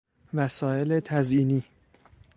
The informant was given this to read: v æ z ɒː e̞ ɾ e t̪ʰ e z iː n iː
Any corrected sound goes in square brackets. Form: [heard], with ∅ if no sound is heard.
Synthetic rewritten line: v æ [s] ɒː e̞ [l] e t̪ʰ [æ] z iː n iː